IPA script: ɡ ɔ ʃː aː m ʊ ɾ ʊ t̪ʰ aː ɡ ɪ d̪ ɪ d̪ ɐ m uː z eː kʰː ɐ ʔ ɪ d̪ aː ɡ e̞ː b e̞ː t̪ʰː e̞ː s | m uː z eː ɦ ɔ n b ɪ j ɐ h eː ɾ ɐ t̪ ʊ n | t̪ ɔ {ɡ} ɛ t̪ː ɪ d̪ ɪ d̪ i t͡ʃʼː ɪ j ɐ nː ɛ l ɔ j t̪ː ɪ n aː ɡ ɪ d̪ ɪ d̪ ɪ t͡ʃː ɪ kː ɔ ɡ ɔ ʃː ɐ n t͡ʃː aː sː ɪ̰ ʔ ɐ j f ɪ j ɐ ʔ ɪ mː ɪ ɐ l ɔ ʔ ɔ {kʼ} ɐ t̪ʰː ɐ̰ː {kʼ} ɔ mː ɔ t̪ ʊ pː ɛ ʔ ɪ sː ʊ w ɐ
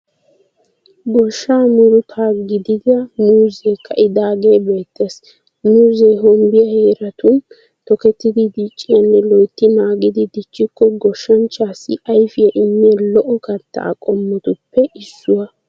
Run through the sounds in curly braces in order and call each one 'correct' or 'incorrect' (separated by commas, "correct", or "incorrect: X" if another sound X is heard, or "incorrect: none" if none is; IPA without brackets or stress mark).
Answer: incorrect: k, incorrect: k, correct